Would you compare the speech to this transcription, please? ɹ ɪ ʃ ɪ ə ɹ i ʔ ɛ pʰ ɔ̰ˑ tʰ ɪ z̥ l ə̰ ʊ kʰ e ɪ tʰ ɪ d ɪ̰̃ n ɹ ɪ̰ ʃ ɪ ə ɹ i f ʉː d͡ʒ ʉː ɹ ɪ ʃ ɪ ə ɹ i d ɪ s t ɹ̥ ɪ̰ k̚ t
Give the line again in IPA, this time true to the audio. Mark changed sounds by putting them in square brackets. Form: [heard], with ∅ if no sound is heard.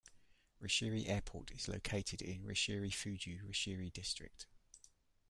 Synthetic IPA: ɹ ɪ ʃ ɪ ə ɹ i ʔ [ɛː] pʰ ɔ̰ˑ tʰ ɪ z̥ l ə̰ ʊ kʰ e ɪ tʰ ɪ d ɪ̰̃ n ɹ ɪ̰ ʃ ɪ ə ɹ i f ʉː d͡ʒ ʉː ɹ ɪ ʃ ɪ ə ɹ i d ɪ s t ɹ̥ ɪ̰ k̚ t

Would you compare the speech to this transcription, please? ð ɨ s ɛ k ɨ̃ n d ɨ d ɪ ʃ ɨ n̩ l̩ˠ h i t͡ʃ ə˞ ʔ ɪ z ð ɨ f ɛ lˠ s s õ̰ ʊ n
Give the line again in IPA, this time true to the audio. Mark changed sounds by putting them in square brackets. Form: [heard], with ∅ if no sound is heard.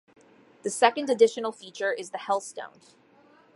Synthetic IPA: ð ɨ s ɛ k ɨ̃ n d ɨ d ɪ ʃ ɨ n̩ l̩ˠ [f] i t͡ʃ ə˞ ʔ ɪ z ð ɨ [h] ɛ lˠ s [t] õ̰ [ʊ̃] n

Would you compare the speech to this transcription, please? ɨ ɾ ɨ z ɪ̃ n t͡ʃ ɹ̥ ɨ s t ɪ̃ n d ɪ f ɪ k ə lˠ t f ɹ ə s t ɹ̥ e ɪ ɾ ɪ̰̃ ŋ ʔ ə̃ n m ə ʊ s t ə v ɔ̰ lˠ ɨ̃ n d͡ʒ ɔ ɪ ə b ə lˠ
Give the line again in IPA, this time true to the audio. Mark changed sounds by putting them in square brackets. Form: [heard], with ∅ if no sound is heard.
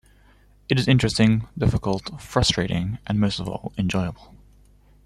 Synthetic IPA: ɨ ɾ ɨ z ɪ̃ n t͡ʃ ɹ̥ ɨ s t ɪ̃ [ŋ] d ɪ f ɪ k ə lˠ t f ɹ [ʌ] s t ɹ̥ e ɪ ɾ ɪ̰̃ ŋ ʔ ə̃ n m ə ʊ s t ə v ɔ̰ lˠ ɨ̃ n d͡ʒ ɔ ɪ ə b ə lˠ

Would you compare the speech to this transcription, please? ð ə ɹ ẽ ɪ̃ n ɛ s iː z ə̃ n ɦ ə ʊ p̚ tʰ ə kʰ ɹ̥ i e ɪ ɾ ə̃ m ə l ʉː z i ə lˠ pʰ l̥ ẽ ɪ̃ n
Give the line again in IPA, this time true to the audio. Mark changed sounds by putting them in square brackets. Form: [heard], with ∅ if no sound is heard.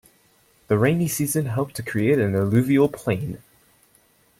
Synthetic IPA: ð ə ɹ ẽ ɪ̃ n [i] s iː z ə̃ n ɦ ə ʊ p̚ tʰ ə kʰ ɹ̥ i e ɪ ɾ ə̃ [n] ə l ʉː [v] i ə lˠ pʰ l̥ ẽ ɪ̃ n

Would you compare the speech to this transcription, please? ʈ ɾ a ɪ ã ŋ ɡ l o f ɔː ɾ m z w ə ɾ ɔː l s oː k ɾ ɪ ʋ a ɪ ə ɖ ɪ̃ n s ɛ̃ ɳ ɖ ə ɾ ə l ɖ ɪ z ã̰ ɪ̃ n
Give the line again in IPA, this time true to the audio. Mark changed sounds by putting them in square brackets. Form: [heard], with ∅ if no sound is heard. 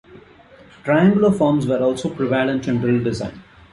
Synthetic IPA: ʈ ɾ a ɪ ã ŋ ɡ l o f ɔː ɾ m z [ʋ] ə ɾ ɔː l s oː [p] ɾ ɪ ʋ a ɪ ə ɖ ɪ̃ n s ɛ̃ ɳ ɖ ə ɾ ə l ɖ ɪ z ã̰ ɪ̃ n

